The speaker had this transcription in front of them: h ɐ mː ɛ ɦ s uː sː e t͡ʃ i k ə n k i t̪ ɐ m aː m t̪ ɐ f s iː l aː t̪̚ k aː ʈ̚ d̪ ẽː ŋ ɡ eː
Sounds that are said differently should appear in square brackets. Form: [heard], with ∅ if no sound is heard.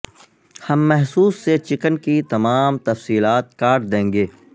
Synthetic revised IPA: h ɐ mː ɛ ɦ s uː sː e t͡ʃ [ɪ] k ə n k i t̪ ɐ m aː m t̪ ɐ f s iː l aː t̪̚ k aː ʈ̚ d̪ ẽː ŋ ɡ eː